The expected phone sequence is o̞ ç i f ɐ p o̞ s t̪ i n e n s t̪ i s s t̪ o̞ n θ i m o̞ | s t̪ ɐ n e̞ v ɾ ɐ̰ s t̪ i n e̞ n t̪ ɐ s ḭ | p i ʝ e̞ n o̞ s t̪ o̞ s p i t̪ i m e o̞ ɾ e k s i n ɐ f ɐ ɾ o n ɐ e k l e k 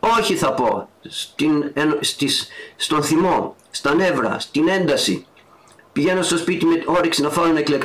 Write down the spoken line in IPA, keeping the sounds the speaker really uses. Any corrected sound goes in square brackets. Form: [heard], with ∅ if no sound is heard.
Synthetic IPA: o̞ ç i [θ] ɐ p o̞ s t̪ i n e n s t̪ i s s t̪ o̞ n θ i m o̞ | s t̪ ɐ n e̞ v ɾ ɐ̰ s t̪ i n e̞ n [d̪] ɐ s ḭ | p i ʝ e̞ n o̞ s t̪ o̞ s p i t̪ i m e o̞ ɾ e k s i n ɐ f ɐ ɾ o n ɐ e k l e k